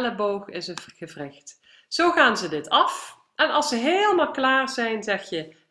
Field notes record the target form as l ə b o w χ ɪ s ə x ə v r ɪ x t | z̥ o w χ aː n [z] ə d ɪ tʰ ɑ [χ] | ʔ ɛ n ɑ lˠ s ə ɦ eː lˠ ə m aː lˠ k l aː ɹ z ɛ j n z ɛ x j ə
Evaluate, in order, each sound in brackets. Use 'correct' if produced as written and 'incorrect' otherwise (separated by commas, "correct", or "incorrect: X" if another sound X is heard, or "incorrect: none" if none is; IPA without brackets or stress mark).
correct, incorrect: f